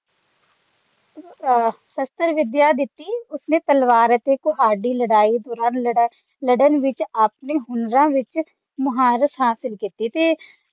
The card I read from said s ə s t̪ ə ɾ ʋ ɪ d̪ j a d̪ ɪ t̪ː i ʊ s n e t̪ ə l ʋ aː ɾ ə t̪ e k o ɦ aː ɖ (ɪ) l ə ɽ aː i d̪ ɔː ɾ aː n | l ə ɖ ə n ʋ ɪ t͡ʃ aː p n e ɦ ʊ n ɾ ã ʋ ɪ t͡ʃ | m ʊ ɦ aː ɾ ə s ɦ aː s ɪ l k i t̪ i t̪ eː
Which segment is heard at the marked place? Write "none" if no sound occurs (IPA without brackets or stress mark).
i